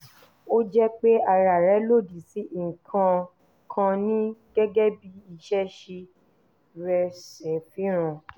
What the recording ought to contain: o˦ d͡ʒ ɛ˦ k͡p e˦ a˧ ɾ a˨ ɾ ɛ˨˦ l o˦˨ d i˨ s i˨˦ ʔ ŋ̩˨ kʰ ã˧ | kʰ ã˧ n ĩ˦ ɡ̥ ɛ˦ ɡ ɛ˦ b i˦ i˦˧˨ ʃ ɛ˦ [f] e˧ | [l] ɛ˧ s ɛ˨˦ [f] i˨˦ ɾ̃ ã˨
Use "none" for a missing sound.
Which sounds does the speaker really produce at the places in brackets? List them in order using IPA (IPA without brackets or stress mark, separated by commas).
ʃ, ɾ, f